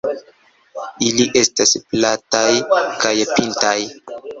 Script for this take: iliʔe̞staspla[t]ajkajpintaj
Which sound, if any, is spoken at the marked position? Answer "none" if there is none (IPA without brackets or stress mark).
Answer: t